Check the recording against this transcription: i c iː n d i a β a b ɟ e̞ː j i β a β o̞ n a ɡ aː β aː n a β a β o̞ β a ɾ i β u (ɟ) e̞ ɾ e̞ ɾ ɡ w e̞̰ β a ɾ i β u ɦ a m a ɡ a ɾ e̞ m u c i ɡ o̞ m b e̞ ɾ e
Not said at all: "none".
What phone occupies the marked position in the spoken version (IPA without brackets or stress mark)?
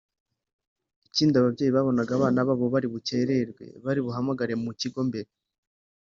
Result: c